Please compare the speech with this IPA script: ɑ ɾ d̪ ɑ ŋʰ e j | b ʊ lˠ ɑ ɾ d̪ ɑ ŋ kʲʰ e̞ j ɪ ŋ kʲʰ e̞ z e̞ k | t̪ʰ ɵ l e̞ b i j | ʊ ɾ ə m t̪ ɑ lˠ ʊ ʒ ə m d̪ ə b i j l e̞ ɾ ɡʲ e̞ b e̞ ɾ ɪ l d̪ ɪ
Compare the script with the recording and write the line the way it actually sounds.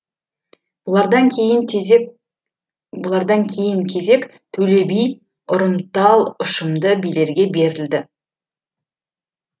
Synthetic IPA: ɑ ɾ d̪ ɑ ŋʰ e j | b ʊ lˠ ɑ ɾ d̪ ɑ ŋ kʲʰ e̞ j ɪ ŋ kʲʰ e̞ z e̞ k | t̪ʰ ɵ l e̞ b i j | ʊ ɾ ə m t̪ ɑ lˠ ʊ ʃ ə m d̪ ə b i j l e̞ ɾ ɡʲ e̞ b e̞ ɾ ɪ l d̪ ɪ